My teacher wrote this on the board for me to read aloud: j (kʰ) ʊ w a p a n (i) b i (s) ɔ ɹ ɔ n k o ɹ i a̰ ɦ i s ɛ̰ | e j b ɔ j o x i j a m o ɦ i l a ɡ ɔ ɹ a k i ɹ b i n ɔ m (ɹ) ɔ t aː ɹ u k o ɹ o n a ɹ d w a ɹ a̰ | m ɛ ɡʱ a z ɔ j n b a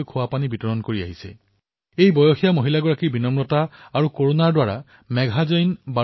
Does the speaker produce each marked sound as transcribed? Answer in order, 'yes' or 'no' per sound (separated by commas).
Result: yes, yes, no, yes